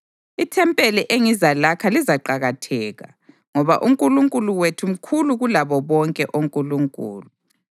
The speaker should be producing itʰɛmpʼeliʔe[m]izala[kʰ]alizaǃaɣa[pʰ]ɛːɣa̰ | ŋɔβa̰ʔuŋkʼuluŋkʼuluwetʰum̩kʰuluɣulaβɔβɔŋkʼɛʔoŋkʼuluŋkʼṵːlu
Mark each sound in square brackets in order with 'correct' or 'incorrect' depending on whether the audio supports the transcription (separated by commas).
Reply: incorrect, correct, incorrect